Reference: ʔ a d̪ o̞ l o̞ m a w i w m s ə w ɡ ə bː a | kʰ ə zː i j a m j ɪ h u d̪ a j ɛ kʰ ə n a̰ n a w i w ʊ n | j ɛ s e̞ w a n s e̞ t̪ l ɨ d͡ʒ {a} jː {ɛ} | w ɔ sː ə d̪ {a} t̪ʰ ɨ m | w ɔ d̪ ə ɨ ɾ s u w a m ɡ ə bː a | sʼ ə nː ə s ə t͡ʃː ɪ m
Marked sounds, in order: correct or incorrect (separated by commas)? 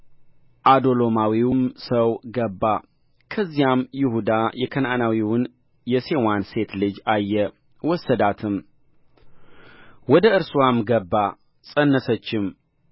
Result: correct, correct, correct